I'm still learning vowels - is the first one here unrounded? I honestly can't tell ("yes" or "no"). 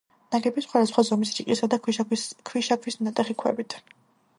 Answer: yes